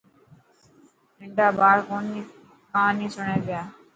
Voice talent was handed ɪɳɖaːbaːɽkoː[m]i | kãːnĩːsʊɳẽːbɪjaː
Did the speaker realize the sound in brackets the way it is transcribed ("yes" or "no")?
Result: no